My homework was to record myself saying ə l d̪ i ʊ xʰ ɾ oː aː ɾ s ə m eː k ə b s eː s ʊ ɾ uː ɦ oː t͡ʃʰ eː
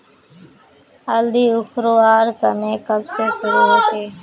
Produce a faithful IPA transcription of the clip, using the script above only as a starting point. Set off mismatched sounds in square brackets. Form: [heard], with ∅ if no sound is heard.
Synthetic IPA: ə l d̪ [iː] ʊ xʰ ɾ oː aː ɾ s ə m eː k ə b s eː s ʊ ɾ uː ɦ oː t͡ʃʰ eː